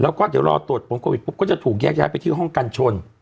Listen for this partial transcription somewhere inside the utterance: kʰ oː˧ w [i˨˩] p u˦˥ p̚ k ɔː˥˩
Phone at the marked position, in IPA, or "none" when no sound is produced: i˨˩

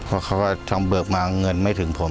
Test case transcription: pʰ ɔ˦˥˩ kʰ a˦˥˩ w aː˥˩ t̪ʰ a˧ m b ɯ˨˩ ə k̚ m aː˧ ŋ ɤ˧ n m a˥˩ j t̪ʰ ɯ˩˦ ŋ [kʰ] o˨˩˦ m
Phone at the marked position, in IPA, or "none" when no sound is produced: pʰ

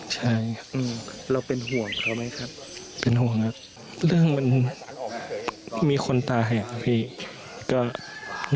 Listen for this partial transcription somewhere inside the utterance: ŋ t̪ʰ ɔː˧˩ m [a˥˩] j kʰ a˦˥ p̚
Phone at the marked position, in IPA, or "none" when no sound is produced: a˦˥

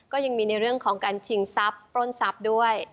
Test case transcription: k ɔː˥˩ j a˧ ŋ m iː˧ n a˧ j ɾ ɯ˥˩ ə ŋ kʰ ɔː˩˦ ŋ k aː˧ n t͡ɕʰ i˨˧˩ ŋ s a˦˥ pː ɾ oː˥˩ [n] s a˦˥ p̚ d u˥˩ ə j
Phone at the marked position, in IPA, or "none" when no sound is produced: n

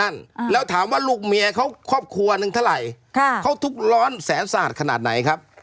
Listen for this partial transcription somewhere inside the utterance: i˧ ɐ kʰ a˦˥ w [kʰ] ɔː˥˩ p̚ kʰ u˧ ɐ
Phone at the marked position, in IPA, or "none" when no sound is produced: kʰ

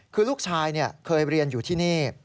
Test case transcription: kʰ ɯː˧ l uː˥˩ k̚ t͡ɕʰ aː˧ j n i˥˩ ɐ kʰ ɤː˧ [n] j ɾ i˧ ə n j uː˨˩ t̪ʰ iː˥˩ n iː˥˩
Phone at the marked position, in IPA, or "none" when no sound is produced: none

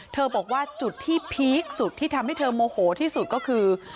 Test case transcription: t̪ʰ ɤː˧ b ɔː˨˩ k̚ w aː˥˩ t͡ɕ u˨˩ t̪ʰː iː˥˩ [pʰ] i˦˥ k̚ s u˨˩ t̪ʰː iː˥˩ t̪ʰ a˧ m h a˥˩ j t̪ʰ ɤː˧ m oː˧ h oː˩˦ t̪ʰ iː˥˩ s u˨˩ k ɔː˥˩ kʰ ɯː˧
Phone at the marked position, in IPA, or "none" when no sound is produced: pʰ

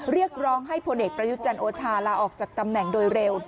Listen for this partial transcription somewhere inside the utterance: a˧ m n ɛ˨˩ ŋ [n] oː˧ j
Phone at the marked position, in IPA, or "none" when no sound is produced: d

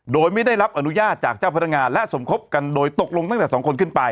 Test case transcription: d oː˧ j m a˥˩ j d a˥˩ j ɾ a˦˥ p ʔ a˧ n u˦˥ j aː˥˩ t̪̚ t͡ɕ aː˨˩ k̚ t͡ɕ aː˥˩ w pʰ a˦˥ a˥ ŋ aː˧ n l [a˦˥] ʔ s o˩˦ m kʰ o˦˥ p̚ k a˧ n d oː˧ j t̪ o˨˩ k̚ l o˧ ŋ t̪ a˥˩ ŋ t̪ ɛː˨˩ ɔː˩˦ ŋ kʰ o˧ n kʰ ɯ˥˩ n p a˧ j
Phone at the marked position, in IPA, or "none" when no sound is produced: ɛ˦˥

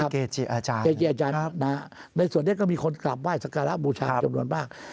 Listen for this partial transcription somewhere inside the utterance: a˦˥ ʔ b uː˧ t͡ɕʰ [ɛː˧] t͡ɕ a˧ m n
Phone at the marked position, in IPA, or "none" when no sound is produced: aː˧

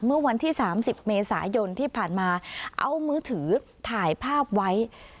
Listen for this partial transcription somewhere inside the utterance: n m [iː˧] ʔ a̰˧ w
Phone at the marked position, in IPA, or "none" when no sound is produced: aː˧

